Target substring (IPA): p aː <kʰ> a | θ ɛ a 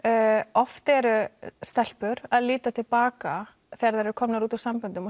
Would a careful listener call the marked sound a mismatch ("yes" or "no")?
yes